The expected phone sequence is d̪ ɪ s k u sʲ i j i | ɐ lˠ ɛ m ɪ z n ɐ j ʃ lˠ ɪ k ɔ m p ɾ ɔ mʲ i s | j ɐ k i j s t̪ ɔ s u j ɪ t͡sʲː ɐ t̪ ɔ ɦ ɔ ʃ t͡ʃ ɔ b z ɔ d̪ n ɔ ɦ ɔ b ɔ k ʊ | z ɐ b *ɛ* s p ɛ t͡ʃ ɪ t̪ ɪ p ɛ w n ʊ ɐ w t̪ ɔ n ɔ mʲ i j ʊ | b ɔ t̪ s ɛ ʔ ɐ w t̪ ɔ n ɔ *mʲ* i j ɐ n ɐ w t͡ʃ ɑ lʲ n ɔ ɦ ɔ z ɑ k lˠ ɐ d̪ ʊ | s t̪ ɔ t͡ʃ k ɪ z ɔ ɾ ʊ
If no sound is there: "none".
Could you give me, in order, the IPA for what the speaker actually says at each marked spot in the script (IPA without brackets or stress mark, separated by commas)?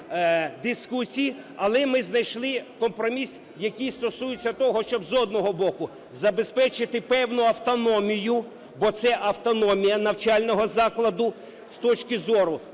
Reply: e, mʲ